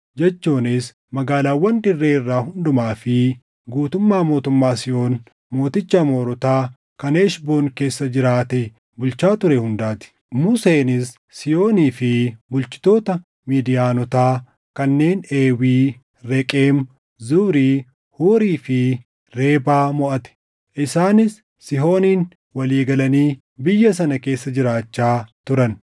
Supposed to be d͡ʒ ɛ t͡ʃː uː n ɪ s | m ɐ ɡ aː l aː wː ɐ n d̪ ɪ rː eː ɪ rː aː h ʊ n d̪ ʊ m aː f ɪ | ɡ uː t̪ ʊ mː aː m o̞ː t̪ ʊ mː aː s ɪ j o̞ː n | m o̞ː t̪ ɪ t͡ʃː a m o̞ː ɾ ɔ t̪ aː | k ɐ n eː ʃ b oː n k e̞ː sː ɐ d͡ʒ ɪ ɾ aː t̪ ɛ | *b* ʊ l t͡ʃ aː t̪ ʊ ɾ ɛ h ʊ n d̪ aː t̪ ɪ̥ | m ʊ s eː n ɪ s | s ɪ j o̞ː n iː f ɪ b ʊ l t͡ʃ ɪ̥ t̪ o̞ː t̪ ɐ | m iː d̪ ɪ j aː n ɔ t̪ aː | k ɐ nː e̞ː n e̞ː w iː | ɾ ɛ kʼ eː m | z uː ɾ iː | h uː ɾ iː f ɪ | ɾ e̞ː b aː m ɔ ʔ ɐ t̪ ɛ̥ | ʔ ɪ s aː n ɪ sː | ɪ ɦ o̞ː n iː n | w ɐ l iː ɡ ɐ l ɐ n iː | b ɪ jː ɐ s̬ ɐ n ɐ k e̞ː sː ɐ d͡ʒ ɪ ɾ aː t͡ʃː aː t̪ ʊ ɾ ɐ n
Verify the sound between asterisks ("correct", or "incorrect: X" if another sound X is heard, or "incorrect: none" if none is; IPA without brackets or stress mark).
correct